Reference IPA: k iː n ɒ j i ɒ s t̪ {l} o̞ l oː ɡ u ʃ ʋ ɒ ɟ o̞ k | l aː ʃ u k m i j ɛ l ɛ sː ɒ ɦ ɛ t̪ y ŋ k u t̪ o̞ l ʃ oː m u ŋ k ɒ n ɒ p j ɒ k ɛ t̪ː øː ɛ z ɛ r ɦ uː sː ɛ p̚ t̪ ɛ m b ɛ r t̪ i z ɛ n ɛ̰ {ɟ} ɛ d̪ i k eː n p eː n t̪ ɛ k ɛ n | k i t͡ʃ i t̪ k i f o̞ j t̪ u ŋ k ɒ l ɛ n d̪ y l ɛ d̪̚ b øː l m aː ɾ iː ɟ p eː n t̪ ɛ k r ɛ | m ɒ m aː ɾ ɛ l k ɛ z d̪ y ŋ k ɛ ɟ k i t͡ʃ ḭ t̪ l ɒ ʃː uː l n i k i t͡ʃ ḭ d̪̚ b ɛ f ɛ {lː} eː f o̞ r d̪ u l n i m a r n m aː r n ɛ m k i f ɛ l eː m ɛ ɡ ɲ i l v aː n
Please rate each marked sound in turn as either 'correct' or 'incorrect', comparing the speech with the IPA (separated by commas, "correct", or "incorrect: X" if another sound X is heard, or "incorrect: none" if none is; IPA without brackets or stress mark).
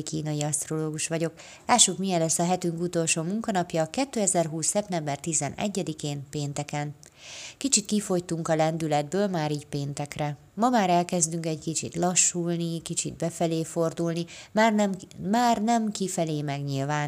incorrect: r, incorrect: ɟː, incorrect: l